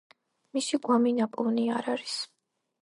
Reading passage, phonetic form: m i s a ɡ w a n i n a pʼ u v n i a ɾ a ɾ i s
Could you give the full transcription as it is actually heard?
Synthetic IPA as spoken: m i s i ɡ w a m i n a pʼ u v n i a ɾ a ɾ i s